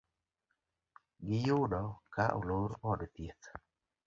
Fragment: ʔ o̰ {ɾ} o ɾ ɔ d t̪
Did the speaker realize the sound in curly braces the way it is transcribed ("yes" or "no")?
no